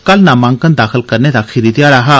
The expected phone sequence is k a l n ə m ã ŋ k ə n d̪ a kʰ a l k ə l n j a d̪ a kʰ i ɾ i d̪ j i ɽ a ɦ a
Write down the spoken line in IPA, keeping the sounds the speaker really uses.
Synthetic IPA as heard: k a l n a m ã ŋ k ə n d̪ a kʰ ə l k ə ɾ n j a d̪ a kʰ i ɾ i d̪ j a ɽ a ɦ a